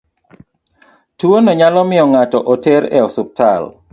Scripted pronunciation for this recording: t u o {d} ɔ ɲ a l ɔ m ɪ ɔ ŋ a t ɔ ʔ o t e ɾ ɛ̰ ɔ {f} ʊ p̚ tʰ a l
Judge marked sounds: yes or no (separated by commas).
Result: no, no